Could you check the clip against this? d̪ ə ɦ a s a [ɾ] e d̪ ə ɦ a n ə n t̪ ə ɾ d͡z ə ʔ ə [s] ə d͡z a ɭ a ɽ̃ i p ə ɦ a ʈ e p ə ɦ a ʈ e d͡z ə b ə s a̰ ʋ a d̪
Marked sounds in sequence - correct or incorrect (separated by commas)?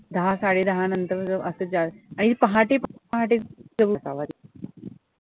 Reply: incorrect, correct